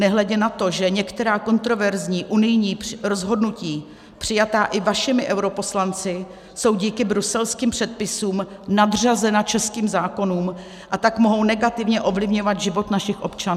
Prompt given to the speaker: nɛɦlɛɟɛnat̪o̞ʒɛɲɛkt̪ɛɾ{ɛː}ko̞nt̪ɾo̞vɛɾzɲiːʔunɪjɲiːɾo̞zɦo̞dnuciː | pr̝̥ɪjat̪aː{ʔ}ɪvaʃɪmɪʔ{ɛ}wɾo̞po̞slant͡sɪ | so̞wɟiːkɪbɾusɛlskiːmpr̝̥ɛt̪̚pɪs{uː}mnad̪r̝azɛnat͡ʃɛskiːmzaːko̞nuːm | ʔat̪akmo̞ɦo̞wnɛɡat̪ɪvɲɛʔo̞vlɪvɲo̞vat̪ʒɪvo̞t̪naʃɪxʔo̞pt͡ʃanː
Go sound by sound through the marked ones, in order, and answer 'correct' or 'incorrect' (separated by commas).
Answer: incorrect, correct, correct, correct